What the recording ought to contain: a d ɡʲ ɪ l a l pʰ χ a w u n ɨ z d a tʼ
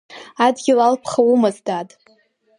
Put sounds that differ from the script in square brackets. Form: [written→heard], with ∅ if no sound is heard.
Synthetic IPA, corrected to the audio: a d ɡʲ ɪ l a l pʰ χ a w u [n→m] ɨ z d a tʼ